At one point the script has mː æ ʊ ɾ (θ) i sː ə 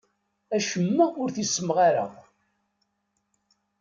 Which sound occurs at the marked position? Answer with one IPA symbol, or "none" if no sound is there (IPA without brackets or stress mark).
θ